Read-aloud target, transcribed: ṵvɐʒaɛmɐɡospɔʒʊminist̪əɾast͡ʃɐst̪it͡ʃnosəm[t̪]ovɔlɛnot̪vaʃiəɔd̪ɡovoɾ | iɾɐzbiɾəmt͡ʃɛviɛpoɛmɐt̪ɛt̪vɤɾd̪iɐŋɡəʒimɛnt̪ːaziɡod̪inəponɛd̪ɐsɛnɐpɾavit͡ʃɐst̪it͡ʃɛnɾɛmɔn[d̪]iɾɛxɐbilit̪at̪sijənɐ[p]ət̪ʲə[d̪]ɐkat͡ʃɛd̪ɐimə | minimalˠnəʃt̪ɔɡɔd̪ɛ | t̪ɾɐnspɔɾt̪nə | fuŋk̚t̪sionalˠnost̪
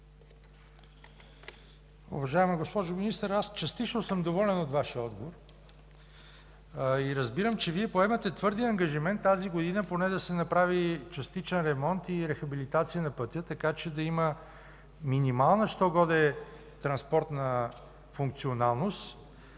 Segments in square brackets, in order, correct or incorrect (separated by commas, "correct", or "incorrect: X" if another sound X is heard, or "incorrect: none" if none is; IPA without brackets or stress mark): incorrect: d̪, incorrect: t̪, correct, incorrect: t̪